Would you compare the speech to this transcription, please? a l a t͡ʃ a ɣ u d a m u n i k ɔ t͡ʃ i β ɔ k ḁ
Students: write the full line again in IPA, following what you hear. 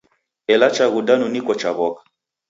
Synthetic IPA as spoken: ɛ l a t͡ʃ a ɣ u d a n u n i k ɔ t͡ʃ a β ɔ k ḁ